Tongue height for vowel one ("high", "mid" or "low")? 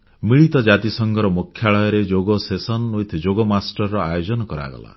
high